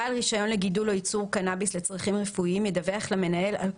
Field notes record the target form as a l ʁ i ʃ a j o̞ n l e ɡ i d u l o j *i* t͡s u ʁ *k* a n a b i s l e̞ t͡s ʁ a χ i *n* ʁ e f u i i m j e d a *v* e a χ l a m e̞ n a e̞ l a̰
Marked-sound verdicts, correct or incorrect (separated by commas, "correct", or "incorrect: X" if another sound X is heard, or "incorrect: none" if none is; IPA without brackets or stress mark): correct, correct, incorrect: m, correct